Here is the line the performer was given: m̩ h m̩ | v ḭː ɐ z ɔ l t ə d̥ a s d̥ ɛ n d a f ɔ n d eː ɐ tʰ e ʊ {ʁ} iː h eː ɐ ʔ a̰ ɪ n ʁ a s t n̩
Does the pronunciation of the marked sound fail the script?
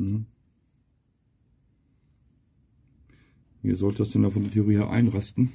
no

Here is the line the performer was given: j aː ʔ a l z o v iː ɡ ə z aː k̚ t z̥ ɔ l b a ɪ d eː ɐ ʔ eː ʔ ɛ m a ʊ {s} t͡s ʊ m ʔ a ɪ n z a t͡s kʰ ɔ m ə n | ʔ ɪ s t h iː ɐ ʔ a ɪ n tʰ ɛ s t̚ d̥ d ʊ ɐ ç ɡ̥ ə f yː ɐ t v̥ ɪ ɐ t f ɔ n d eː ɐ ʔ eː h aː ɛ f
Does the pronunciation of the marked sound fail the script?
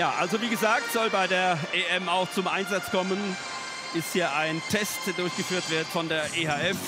yes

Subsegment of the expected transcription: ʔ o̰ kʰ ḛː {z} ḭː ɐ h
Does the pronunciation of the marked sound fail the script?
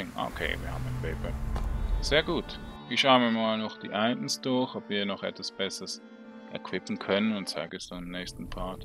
yes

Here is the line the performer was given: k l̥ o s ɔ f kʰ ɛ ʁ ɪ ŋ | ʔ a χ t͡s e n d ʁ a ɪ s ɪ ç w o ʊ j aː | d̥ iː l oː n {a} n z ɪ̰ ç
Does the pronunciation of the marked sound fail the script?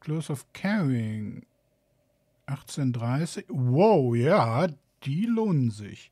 yes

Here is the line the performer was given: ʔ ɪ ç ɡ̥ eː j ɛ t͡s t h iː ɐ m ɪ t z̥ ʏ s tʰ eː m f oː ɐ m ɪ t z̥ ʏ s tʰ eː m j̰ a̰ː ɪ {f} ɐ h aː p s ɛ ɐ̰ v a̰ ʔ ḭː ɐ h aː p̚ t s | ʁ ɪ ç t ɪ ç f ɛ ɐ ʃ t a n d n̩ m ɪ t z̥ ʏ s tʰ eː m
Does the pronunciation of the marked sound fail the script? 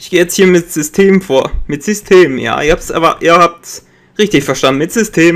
yes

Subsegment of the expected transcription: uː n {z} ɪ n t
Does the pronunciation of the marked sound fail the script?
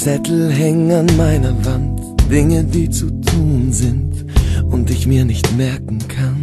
no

